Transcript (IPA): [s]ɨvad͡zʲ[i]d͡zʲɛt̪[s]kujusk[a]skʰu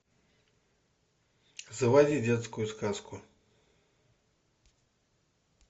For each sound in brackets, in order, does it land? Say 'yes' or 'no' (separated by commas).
no, yes, yes, yes